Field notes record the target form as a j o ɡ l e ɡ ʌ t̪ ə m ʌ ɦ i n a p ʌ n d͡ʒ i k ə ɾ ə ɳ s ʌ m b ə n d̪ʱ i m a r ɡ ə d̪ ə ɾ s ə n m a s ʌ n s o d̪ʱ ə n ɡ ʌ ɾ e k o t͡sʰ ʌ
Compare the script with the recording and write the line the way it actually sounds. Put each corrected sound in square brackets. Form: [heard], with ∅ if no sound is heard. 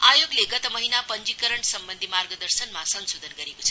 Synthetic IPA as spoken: a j o ɡ l e ɡ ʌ t̪ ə m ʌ ɦ i n a p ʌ n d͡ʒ i k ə ɾ ə ɳ s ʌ m b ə n d̪ʱ i m a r ɡ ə d̪ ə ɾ s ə n m a s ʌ n s o d̪ʱ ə n ɡ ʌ ɾ e k o t͡sʰ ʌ

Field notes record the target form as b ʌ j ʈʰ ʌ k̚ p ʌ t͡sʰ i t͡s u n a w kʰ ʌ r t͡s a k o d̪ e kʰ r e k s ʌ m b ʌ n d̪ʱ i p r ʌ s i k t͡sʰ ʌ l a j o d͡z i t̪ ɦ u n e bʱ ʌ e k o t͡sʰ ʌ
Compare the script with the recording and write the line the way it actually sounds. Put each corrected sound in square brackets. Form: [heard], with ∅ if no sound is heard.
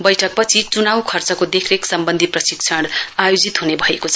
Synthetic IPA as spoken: b ʌ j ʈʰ ʌ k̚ p ʌ t͡sʰ i t͡s u n a w kʰ ʌ r t͡s [ʌ] k o d̪ e kʰ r e k s ʌ m b ʌ n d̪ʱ i p r ʌ s i k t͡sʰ ʌ [ɽ] a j o d͡z i t̪ ɦ u n e bʱ ʌ e k o t͡sʰ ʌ

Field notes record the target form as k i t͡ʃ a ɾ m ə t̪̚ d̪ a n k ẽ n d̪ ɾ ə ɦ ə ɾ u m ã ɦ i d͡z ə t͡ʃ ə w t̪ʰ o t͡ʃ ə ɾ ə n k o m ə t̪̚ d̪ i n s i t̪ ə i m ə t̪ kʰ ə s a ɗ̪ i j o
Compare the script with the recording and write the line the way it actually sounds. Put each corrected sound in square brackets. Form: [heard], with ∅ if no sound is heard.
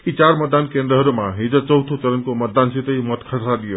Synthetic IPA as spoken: k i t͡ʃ a ɾ m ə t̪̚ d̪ a n k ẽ n d̪ ɾ ə ɦ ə ɾ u m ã ɦ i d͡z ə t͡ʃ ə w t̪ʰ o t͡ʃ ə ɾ ə n k o m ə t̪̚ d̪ [a] n s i t̪ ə i m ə t̪ kʰ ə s a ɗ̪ i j o

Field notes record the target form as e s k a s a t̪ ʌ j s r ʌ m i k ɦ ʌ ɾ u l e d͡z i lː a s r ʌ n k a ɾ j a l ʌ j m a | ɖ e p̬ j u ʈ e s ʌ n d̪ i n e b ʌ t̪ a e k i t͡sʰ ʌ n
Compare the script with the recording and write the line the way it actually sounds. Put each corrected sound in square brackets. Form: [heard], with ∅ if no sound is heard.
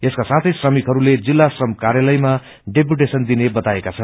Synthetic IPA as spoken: e s k a s a [t̪ʰ] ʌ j s r ʌ m i k ɦ ʌ ɾ u l e d͡z i lː a s r ʌ [m] k a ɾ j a l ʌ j m a | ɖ e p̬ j u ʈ e s ʌ n d̪ i n e b ʌ t̪ a e k [a] t͡sʰ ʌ n

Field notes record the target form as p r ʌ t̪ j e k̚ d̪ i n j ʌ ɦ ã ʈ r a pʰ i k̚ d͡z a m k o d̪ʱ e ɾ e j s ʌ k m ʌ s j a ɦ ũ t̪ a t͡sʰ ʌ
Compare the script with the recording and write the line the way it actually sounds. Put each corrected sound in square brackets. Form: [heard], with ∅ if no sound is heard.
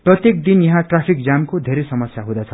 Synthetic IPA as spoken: p r ʌ t̪ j e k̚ d̪ i n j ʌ ɦ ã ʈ r a pʰ i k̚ d͡z a m k o d̪ʱ e ɾ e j s ʌ [∅] m ʌ s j a ɦ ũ [d̪] a t͡sʰ ʌ

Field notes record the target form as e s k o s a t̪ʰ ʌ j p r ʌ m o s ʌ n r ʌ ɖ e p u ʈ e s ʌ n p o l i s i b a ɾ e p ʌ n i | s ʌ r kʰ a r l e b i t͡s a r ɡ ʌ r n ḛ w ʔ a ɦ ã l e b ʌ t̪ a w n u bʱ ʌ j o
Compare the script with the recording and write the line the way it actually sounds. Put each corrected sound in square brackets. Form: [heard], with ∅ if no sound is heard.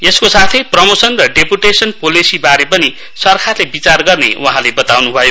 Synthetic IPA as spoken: e s k o s a t̪ʰ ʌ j p r ʌ m o s ʌ n r ʌ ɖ e p u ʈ e s ʌ n p o l i s i b a ɾ e p ʌ n i | s ʌ r kʰ a r l e b i t͡s a r ɡ ʌ r n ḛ w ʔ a ɦ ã l e b ʌ t̪ a w n u bʱ ʌ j o

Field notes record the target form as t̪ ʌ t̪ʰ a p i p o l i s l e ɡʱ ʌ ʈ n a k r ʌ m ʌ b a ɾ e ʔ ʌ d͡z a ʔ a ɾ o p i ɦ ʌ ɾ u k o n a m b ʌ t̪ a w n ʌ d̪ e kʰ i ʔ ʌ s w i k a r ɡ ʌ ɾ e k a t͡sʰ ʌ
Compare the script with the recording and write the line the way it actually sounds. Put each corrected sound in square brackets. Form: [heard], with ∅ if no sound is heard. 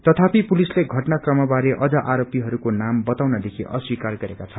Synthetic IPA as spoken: t̪ ʌ t̪ʰ a p i p [u] l i s l e ɡʱ ʌ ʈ n a k r ʌ m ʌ b a ɾ e ʔ ʌ d͡z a ʔ a ɾ o p i ɦ ʌ ɾ u k o n a m b ʌ t̪ a w n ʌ d̪ e kʰ i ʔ ʌ s w i k a r ɡ ʌ ɾ e k a t͡sʰ ʌ

